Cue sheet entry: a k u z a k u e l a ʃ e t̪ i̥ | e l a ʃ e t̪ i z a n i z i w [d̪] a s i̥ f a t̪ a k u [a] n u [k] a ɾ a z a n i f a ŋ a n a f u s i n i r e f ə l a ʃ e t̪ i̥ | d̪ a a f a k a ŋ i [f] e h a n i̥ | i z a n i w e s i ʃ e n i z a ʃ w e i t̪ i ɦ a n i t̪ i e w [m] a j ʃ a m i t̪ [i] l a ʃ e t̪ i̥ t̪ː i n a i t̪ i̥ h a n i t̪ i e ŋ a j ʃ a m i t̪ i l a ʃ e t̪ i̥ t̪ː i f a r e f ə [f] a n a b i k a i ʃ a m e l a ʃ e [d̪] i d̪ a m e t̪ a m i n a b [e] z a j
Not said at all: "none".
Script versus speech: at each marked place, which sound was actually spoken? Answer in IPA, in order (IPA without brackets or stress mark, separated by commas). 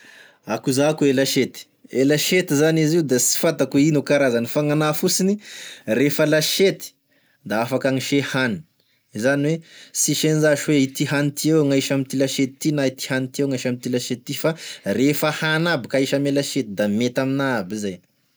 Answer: d̪, i, k, ʃ, ŋ, i, h, t̪, i